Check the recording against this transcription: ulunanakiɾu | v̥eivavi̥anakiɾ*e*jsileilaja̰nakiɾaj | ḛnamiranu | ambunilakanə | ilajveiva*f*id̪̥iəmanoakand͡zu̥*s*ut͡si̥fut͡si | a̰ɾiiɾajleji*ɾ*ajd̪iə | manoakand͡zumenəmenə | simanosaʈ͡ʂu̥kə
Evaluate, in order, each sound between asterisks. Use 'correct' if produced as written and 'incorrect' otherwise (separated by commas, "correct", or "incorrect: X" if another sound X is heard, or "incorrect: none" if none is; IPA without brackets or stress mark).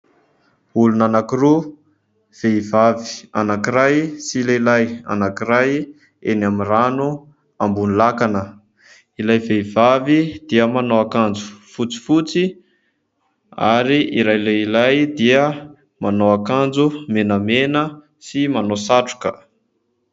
incorrect: a, incorrect: v, incorrect: f, incorrect: l